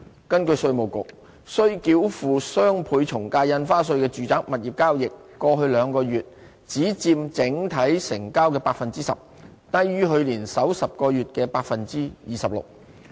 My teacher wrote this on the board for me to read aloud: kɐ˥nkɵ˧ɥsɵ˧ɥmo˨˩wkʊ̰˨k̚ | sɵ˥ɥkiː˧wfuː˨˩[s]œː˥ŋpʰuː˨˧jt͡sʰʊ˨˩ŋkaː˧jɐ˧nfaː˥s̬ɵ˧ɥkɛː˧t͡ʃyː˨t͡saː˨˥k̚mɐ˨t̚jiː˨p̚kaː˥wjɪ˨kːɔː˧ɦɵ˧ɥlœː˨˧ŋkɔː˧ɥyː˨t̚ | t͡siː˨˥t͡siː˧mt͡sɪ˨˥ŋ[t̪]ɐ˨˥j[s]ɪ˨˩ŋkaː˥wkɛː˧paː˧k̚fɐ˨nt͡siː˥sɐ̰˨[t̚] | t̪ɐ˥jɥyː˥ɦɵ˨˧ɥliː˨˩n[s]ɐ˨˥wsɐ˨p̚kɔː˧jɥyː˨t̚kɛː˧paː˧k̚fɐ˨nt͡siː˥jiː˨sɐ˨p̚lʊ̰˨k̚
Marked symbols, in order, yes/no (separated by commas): yes, no, yes, no, yes